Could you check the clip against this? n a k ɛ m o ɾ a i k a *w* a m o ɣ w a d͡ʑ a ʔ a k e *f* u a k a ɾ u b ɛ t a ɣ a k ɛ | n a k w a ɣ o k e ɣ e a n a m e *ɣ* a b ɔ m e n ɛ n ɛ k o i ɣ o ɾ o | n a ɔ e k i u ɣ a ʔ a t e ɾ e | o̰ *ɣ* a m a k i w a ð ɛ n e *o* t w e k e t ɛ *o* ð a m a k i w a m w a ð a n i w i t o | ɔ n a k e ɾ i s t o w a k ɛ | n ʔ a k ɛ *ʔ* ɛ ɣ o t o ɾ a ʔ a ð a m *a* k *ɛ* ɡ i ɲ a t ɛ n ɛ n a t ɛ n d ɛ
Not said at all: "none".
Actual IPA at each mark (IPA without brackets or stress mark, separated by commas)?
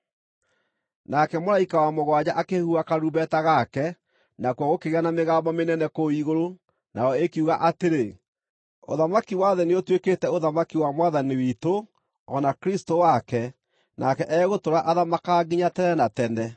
w, h, ɣ, ð, o, o, ʔ, a, a